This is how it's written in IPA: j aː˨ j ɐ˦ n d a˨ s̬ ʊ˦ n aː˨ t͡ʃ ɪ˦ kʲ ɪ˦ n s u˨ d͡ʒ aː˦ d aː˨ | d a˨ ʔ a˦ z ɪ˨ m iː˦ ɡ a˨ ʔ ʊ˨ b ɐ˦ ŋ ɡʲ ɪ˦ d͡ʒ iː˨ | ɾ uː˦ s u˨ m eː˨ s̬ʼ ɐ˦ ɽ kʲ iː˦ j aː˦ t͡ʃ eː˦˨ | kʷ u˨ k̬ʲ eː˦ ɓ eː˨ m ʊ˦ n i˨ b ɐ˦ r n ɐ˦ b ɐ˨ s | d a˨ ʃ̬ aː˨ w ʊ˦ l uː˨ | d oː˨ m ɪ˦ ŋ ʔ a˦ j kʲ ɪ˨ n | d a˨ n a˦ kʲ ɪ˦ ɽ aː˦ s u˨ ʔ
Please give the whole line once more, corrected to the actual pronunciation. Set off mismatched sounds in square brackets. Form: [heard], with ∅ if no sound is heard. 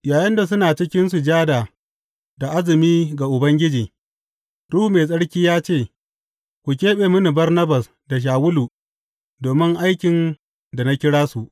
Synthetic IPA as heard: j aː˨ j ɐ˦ n d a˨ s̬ ʊ˦ n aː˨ t͡ʃ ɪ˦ kʲ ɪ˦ n s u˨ d͡ʒ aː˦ d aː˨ | d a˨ ʔ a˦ z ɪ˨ m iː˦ ɡ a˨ ʔ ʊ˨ b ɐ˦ ŋ ɡʲ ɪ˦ d͡ʒ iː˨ | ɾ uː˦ [h] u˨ m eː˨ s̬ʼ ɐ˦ ɽ kʲ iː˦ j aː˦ t͡ʃ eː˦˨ | kʷ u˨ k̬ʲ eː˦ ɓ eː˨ m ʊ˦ n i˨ b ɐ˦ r n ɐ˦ b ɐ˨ s | d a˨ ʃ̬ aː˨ w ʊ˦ l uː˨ | d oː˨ m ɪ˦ ŋ ʔ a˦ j kʲ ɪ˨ n | d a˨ n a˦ kʲ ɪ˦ ɽ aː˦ s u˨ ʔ